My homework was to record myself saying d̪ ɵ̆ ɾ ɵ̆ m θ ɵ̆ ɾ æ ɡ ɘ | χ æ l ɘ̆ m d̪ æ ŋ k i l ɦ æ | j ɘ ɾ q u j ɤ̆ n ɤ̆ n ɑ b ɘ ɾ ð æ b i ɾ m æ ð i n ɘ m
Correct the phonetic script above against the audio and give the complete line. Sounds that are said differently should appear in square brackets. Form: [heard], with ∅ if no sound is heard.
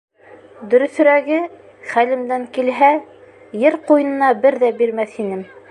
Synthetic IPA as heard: d̪ ɵ̆ ɾ ɵ̆ [∅] θ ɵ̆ ɾ æ ɡ ɘ | χ æ l ɘ̆ m d̪ æ ŋ k i l ɦ æ | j ɘ ɾ q u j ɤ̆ n ɤ̆ n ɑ b ɘ ɾ ð æ b i ɾ m æ [θ] i n ɘ m